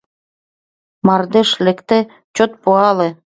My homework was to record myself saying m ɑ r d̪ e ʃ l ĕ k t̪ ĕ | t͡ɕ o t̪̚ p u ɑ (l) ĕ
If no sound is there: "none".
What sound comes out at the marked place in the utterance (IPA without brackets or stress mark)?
l